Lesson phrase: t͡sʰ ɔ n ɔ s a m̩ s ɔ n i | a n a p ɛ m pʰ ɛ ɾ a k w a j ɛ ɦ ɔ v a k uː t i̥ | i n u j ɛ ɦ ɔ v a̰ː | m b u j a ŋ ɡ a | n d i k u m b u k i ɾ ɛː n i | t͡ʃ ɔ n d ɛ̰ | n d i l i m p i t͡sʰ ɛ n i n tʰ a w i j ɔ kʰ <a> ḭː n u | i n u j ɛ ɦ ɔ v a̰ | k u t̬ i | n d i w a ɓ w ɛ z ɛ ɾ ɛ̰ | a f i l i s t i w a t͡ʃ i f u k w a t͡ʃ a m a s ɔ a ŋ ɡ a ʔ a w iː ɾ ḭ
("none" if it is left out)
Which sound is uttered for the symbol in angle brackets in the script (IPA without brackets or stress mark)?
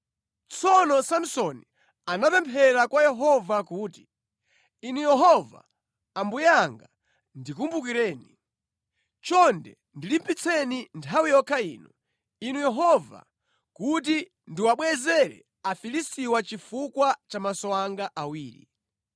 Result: a